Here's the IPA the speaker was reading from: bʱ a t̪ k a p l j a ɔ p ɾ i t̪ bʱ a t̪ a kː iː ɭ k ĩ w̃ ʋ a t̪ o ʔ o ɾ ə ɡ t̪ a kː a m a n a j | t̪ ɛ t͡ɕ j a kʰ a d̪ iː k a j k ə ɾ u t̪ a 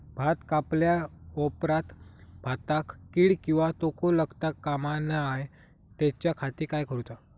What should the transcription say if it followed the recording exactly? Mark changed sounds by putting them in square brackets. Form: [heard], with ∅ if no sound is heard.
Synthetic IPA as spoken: bʱ a t̪ k a p l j a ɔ p ɾ [a] t̪ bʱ a t̪ a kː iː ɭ k ĩ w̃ ʋ a t̪ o [k] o [l] ə ɡ t̪ a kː a m a n a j | t̪ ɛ t͡ɕ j a kʰ a [t̪] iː k a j k ə ɾ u t̪ a